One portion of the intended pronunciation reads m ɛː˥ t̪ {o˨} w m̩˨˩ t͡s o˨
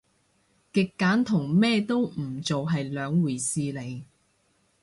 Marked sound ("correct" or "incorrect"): incorrect